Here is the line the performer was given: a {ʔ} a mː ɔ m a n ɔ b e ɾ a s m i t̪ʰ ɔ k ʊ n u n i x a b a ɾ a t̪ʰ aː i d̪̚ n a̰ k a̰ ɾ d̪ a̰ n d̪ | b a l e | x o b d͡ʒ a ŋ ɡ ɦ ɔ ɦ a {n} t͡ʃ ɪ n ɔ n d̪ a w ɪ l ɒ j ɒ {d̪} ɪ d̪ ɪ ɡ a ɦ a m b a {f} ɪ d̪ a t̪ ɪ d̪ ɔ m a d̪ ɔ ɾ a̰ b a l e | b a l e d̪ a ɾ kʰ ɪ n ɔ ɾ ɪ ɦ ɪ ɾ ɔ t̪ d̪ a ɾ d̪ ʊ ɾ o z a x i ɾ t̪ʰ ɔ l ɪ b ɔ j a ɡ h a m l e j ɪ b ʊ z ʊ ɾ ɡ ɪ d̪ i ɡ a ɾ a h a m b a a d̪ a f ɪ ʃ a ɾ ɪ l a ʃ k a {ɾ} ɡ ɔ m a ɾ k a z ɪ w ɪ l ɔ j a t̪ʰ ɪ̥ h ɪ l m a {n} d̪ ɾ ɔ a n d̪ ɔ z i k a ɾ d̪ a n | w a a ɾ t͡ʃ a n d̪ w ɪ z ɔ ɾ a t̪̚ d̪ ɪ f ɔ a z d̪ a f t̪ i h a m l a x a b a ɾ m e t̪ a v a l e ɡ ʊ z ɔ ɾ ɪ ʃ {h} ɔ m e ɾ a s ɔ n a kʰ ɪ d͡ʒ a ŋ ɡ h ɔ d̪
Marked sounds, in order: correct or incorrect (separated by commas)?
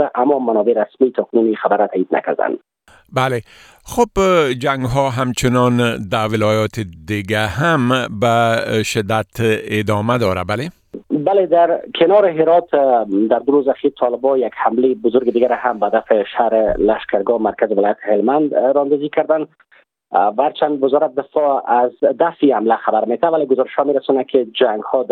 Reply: correct, incorrect, incorrect, incorrect, correct, correct, correct